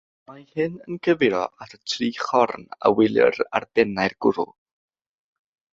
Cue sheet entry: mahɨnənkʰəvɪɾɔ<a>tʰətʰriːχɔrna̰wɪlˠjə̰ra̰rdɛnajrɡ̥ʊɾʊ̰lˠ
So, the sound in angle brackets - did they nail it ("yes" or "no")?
yes